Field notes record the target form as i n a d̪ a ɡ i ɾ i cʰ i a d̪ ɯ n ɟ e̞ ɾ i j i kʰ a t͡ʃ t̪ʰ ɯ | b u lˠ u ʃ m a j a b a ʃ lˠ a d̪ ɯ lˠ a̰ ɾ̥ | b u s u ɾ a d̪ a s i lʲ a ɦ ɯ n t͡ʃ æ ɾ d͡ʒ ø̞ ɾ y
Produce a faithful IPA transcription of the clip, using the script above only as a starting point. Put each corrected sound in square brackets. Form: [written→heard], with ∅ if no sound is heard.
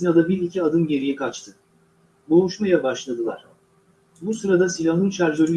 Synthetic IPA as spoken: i n a d̪ a [ɡ→b] i ɾ i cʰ i a d̪ ɯ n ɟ e̞ ɾ i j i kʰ a t͡ʃ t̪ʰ ɯ | b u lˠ u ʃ m a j a b a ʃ lˠ a d̪ ɯ lˠ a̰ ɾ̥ | b u s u ɾ a d̪ a s i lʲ a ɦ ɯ n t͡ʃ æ ɾ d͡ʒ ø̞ ɾ y